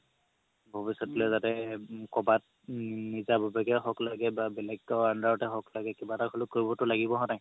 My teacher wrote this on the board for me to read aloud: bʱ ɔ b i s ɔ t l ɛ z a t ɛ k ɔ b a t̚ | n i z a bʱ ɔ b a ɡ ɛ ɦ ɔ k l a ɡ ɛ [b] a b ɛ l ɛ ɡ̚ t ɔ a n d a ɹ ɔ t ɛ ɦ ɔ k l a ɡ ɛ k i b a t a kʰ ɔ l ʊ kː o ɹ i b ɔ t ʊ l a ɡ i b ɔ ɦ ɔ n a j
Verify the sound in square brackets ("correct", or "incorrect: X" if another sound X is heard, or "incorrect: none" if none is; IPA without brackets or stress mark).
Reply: correct